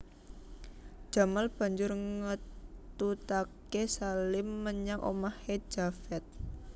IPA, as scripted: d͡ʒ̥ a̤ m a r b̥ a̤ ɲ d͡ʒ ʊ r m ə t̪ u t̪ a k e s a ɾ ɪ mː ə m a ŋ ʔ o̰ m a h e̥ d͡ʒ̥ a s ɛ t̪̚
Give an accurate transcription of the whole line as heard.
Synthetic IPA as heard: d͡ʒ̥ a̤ m a l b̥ a̤ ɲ d͡ʒ ʊ r ŋ ə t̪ u t̪ a k e s a l ɪ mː ə ɲ a ŋ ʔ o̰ m a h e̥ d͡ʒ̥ a f ɛ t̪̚